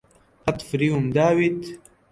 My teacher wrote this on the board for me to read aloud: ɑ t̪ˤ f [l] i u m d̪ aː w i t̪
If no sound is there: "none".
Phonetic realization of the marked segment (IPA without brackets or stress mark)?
ɾ